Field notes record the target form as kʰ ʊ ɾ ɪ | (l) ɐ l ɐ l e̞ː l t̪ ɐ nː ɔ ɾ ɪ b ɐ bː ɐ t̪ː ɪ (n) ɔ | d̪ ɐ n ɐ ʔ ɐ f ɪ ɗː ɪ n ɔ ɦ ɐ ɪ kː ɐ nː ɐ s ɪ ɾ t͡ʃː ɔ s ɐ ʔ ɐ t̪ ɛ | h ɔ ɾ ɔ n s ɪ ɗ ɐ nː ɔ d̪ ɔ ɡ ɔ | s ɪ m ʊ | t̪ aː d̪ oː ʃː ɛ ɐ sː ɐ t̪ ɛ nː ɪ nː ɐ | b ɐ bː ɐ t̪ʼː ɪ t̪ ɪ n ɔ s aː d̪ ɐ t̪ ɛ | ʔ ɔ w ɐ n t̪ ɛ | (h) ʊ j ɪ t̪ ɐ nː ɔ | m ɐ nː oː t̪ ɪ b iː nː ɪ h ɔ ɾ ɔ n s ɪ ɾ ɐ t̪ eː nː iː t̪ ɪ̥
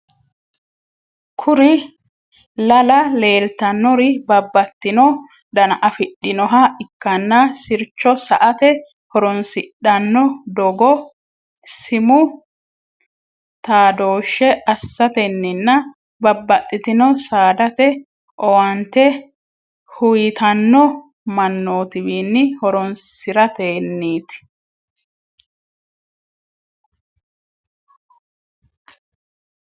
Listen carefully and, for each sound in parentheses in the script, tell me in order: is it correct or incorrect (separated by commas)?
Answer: correct, correct, correct